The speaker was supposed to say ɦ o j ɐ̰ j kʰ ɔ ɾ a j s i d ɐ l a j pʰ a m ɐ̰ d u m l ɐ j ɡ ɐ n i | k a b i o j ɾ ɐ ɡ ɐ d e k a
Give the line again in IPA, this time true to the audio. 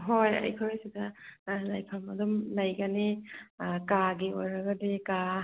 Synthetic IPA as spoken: ɦ o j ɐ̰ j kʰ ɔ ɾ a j s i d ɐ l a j pʰ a m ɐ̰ d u m l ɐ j ɡ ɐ n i | k a ɡ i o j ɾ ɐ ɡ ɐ d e k a